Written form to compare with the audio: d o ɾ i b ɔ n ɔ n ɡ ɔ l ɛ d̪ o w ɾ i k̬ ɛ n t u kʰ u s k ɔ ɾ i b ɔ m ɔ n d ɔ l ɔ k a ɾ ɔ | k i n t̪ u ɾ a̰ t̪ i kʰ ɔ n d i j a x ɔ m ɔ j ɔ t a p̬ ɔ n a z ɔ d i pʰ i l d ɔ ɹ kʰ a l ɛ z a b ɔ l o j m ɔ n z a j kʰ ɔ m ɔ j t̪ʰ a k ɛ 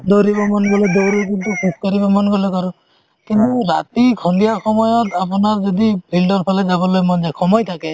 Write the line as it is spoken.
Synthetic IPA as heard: d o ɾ i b ɔ m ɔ n ɡ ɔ l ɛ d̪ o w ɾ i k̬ i n t u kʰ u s k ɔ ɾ i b ɔ m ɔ n ɡ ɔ l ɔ k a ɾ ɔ | k i n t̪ u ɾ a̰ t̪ i kʰ ɔ n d i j a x ɔ m ɔ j ɔ t a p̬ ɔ n a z ɔ d i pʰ i l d ɔ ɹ pʰ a l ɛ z a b ɔ l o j m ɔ n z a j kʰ ɔ m ɔ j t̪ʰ a k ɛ